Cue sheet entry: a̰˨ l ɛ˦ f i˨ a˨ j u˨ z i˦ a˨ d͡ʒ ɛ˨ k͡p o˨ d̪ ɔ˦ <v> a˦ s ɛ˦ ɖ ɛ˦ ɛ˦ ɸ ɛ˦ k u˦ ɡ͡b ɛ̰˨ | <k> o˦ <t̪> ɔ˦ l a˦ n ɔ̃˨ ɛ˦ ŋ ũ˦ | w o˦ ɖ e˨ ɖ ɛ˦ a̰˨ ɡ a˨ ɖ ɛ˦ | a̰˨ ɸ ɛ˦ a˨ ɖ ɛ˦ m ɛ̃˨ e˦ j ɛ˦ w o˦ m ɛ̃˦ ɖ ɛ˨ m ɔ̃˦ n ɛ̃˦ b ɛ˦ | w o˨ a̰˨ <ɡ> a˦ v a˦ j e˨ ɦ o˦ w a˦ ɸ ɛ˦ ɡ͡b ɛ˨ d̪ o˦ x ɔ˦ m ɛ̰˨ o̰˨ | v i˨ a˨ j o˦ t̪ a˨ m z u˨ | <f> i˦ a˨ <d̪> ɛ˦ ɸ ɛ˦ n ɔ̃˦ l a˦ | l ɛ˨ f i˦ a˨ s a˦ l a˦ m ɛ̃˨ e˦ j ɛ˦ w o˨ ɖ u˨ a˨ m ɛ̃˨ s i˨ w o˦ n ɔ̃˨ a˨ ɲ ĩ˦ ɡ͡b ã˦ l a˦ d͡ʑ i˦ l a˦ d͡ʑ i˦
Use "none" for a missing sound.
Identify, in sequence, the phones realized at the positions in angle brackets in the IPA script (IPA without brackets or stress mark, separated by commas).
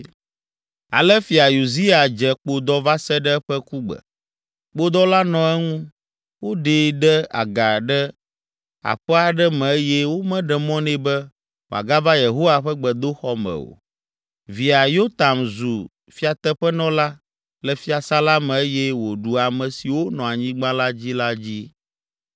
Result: v, k͡p, d̪, ɡ, f, t̪